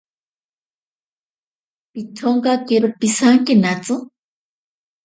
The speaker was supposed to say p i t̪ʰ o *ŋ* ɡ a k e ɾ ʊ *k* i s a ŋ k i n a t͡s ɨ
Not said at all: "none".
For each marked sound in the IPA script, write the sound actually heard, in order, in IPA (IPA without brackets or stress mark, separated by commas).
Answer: ŋ, p